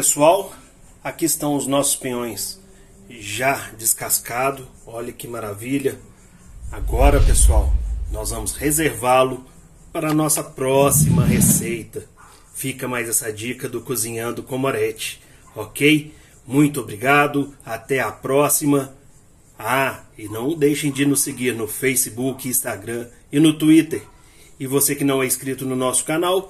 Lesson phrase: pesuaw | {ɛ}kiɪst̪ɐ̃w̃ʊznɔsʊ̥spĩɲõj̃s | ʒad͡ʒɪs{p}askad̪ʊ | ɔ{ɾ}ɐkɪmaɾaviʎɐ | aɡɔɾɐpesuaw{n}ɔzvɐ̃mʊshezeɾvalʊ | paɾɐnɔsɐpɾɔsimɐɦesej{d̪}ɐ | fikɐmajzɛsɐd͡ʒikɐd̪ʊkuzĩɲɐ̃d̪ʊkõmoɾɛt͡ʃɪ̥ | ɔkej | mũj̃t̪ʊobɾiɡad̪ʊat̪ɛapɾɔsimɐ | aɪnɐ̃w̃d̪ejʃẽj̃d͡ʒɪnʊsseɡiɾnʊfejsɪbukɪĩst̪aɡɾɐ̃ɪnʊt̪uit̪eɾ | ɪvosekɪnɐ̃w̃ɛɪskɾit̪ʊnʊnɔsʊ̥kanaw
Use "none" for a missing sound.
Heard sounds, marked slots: a, k, ʎ, n, t̪

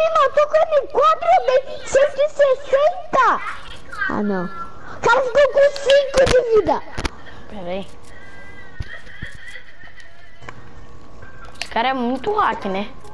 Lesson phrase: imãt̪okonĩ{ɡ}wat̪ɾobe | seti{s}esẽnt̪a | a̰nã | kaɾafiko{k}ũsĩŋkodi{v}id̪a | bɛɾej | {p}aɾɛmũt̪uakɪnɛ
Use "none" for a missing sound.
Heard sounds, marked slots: k, s, k, v, k

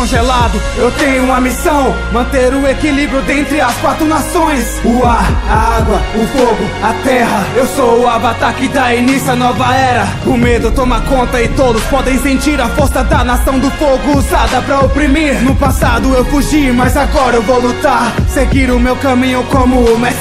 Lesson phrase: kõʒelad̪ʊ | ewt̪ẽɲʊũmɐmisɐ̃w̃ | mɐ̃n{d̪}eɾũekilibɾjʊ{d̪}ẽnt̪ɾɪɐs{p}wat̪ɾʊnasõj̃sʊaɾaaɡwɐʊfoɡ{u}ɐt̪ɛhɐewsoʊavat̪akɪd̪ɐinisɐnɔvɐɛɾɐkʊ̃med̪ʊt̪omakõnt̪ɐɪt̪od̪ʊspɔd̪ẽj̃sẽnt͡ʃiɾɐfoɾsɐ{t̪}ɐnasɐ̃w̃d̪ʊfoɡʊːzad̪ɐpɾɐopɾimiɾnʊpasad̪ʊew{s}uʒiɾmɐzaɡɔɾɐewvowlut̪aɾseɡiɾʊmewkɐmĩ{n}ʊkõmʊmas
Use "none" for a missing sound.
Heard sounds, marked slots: t̪, d̪, k, ʊ, d̪, f, ɲ

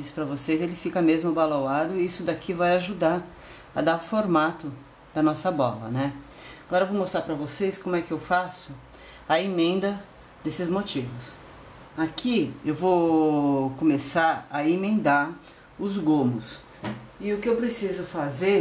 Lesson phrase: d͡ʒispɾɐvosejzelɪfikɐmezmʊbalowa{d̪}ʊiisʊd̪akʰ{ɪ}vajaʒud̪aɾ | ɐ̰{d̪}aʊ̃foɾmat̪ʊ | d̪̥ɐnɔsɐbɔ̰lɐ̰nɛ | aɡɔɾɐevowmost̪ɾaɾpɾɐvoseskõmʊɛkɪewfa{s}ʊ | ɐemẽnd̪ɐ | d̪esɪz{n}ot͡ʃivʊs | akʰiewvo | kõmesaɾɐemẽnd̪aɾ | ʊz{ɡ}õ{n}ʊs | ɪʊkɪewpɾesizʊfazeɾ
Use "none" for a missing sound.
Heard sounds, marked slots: d̪, i, d̪, s, m, ɡ, m

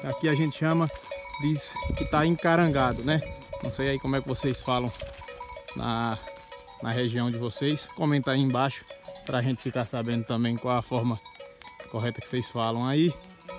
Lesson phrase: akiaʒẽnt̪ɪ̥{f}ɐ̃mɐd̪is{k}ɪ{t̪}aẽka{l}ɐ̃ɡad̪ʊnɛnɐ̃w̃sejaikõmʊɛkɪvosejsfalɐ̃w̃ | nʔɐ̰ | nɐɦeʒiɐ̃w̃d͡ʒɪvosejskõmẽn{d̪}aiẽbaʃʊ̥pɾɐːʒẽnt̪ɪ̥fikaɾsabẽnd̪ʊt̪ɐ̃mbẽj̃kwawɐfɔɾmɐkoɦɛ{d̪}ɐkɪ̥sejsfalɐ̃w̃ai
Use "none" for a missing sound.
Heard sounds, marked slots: ʃ, k, t̪, ɾ, t̪, t̪

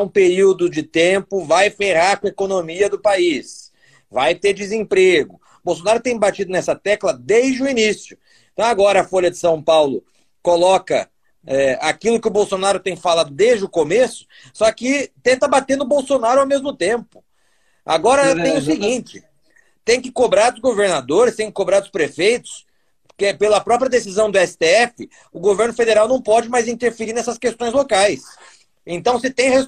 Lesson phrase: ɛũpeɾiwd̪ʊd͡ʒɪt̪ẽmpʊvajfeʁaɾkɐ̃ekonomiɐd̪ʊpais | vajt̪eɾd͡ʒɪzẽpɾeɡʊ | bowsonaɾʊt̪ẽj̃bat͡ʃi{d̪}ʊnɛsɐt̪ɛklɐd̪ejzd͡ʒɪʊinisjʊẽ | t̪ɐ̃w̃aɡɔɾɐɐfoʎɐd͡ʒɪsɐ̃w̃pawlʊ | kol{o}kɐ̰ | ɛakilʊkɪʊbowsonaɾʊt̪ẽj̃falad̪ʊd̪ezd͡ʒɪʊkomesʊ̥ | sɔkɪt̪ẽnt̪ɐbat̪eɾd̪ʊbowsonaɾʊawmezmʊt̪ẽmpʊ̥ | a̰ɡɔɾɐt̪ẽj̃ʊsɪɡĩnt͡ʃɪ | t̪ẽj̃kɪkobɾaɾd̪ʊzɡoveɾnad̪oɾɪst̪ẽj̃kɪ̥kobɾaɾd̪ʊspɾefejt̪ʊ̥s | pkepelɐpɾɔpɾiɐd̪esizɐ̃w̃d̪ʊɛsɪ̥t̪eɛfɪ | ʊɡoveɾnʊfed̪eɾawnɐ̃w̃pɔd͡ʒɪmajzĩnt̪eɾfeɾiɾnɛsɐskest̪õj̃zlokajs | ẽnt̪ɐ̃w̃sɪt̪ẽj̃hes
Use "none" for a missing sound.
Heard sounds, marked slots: d̪, ɔ

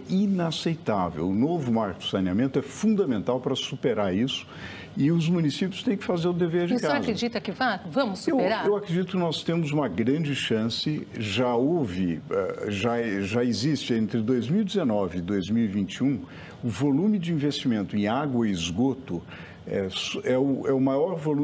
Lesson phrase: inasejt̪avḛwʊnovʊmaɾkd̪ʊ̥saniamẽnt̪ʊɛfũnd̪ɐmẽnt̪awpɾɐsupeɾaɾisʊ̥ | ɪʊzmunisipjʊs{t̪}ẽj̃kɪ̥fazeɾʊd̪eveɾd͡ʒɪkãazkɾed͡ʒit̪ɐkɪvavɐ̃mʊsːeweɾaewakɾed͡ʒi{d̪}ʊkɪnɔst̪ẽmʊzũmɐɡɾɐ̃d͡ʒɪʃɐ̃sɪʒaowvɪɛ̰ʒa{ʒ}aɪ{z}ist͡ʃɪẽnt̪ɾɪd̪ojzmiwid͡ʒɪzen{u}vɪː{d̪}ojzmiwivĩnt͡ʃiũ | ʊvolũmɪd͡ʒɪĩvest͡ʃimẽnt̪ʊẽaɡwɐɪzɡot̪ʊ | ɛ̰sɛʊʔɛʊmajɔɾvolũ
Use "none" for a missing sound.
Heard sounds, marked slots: t̪, t̪, ʒ, z, ɔ, d̪

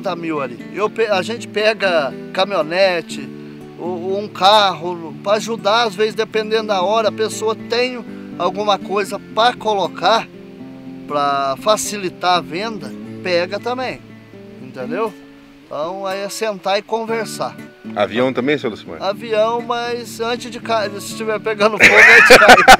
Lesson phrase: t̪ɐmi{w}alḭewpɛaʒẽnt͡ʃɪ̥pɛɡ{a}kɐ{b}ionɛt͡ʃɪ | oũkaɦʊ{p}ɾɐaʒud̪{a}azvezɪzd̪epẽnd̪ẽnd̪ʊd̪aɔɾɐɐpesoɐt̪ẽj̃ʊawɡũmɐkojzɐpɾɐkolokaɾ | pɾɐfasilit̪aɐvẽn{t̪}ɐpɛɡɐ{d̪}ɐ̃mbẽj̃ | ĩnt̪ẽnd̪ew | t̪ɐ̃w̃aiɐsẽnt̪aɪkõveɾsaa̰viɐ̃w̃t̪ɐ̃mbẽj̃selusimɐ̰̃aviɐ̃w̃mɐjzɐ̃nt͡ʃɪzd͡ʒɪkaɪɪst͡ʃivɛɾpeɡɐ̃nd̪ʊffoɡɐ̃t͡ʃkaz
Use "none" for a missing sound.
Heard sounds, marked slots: w, ɐ, m, p, a, d̪, t̪

